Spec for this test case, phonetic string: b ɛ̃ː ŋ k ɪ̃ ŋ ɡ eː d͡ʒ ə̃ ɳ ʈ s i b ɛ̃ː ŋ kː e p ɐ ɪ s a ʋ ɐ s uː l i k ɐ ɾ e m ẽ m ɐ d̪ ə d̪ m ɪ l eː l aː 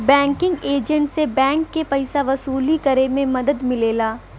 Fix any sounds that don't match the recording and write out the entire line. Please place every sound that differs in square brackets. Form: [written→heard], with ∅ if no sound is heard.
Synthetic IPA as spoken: b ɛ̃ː ŋ k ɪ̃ ŋ ɡ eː d͡ʒ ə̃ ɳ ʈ s [i→e] b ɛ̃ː ŋ kː e p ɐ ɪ s a ʋ ɐ s uː l i k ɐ ɾ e m ẽ m ɐ d̪ ə d̪ m ɪ l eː l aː